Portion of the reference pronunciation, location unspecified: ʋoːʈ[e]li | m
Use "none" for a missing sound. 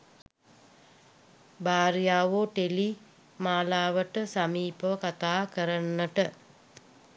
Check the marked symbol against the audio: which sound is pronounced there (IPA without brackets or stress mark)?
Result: e